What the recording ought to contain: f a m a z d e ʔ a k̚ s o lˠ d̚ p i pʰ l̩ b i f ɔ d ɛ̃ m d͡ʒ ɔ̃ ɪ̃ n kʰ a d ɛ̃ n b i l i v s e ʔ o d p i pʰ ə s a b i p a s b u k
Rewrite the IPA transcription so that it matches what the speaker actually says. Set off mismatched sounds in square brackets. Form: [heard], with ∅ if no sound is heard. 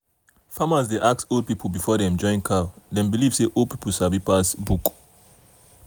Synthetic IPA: f a m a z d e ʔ a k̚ s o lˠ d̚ p i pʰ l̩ b i f ɔ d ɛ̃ m d͡ʒ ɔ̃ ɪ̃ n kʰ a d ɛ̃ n b i l i v s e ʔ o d p i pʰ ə s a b i p a s b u k